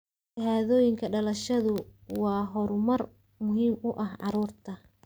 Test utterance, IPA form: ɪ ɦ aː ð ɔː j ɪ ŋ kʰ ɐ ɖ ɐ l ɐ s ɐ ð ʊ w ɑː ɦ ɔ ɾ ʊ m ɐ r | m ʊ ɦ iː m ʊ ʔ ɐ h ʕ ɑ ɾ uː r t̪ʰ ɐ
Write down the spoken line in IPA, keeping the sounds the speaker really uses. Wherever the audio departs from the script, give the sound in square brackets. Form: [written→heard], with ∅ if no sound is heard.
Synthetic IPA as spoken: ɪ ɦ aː ð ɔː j ɪ ŋ kʰ ɐ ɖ ɐ l ɐ [s→ʃ] ɐ ð ʊ w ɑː ɦ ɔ ɾ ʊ m ɐ r | m ʊ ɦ iː m ʊ ʔ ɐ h ʕ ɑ ɾ uː r t̪ʰ ɐ